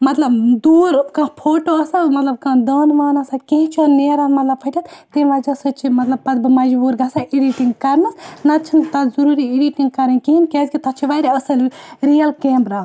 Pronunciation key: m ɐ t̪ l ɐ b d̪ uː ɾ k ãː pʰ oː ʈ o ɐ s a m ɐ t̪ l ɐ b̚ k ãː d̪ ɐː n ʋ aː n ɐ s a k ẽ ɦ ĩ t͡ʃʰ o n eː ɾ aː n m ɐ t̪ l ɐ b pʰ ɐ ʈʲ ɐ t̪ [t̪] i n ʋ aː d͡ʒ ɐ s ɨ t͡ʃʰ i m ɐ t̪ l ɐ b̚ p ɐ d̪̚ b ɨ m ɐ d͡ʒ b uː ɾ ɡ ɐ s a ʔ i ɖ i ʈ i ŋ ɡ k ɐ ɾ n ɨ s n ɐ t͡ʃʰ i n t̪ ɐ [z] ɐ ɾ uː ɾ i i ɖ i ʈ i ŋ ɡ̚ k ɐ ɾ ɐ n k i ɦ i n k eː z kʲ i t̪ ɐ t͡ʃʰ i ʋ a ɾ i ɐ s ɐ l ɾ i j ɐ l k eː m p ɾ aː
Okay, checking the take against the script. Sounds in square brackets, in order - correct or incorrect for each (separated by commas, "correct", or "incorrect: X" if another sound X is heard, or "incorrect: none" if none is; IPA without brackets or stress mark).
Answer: correct, correct